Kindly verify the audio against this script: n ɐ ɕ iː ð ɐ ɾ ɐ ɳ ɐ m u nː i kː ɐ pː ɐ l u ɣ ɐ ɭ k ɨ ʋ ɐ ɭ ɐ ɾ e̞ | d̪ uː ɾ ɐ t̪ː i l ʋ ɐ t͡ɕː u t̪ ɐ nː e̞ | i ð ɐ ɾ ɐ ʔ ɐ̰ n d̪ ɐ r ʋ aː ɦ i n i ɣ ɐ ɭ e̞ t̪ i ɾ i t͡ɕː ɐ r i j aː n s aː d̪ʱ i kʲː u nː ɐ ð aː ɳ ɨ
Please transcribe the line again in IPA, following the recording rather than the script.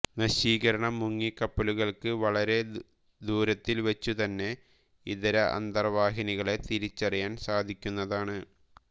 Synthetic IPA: n ɐ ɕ iː ɣ ɐ ɾ ɐ ɳ ɐ m u ŋː i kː ɐ pː ɐ l u ɣ ɐ ɭ k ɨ ʋ ɐ ɭ ɐ ɾ e̞ | d̪ uː ɾ ɐ t̪ː i l ʋ ɐ t͡ɕː u t̪ ɐ nː e̞ | i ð ɐ ɾ ɐ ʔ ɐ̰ n d̪ ɐ r ʋ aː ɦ i n i ɣ ɐ ɭ e̞ t̪ i ɾ i t͡ɕː ɐ r i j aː n s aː d̪ʱ i kʲː u nː ɐ ð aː ɳ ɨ

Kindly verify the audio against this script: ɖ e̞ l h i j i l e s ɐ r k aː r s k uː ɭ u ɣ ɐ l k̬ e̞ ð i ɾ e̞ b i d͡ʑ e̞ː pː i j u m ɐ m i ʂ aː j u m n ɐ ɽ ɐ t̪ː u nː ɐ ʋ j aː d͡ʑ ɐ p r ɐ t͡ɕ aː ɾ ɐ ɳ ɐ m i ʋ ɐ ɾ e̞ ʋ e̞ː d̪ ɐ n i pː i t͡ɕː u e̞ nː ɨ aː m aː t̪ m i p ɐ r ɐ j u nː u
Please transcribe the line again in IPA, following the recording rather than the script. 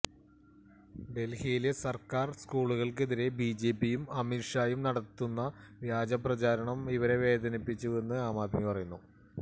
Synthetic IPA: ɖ e̞ l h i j i l e s ɐ r k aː r s k uː ɭ u ɣ ɐ ɭ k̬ e̞ ð i ɾ e̞ b i d͡ʑ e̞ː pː i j u m ɐ m i ʂ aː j u m n ɐ ɽ ɐ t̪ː u nː ɐ ʋ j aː d͡ʑ ɐ p r ɐ t͡ɕ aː ɾ ɐ ɳ ɐ m i ʋ ɐ ɾ e̞ ʋ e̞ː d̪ ɐ n i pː i t͡ɕː u e̞ nː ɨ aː m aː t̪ m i p ɐ r ɐ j u nː u

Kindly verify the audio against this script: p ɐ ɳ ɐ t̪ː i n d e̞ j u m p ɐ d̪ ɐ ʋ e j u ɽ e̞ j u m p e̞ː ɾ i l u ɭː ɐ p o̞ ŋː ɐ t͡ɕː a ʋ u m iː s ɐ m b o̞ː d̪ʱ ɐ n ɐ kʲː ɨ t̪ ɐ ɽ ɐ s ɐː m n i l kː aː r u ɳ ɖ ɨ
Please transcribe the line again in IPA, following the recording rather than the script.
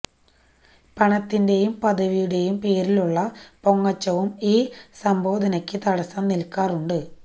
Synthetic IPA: p ɐ ɳ ɐ t̪ː i n d e̞ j u m p ɐ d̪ ɐ ʋ i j u ɽ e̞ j u m p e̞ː ɾ i l u ɭː ɐ p o̞ ŋː ɐ t͡ɕː ɐ ʋ u m iː s ɐ m b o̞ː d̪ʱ ɐ n ɐ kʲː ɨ t̪ ɐ ɽ ɐ s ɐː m n i l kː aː r u ɳ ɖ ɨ

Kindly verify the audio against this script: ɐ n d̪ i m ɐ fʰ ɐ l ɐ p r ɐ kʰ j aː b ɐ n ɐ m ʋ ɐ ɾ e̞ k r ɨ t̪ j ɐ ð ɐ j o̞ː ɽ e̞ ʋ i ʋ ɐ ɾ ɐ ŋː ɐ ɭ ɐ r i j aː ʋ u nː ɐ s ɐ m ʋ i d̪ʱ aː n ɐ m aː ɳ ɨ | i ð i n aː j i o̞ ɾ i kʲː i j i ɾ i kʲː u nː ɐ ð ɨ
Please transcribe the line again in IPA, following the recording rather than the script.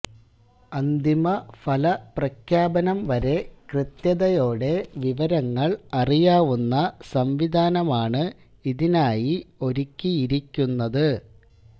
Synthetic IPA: ɐ n d̪ i m ɐ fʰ ɐ l ɐ p r ɐ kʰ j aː b ɐ n ɐ m ʋ ɐ ɾ e̞ k r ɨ t̪ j ɐ ð ɐ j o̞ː ɽ e̞ ʋ i ʋ ɐ ɾ ɐ ŋː ɐ ɭ ɐ r i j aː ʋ u nː ɐ s ɐ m ʋ i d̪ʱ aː n ɐ m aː ɳ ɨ | i ð i n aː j i o̞ ɾ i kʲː i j i ɾ i kʲː u nː ɐ ð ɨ

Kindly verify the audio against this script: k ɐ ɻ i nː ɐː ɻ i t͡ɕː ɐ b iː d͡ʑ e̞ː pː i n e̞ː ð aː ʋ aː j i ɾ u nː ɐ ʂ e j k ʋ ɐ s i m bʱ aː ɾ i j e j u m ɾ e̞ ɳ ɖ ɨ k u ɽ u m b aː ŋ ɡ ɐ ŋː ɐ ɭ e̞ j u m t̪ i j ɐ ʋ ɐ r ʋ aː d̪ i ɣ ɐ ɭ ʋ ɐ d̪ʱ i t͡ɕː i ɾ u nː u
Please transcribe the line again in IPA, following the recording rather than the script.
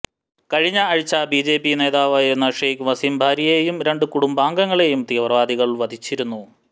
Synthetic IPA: k ɐ ɻ i ɲː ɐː ɻ i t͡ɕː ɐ b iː d͡ʑ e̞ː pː i n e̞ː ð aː ʋ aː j i ɾ u nː ɐ ʂ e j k ʋ ɐ s i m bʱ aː ɾ i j e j u m ɾ e̞ ɳ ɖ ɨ k u ɽ u m b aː ŋ ɡ ɐ ŋː ɐ ɭ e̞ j u m t̪ i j ɐ ʋ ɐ r ʋ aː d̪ i ɣ ɐ ɭ ʋ ɐ d̪ʱ i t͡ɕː i ɾ u nː u

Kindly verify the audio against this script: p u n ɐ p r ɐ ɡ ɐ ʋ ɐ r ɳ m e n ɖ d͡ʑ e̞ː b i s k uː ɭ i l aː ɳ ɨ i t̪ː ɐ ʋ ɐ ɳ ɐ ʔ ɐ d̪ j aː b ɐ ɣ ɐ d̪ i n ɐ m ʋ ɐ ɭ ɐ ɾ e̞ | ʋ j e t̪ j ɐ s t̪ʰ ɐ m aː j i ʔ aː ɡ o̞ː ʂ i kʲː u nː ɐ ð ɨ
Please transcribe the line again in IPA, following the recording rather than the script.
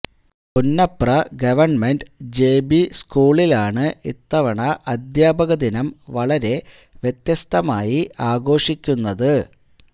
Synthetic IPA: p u nː ɐ p r ɐ ɡ ɐ ʋ ɐ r ɳ m e n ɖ d͡ʑ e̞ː b i s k uː ɭ i l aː ɳ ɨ i t̪ː ɐ ʋ ɐ ɳ ɐ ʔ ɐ d̪ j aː b ɐ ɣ ɐ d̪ i n ɐ m ʋ ɐ ɭ ɐ ɾ e̞ | ʋ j e t̪ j ɐ s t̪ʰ ɐ m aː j i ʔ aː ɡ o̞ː ʂ i kʲː u nː ɐ ð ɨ

